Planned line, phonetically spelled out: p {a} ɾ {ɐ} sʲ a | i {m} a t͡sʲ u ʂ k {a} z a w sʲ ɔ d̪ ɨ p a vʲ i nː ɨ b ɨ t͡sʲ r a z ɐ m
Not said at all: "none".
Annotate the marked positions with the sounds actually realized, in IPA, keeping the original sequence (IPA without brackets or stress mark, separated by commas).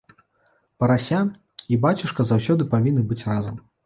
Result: ɐ, a, b, ɐ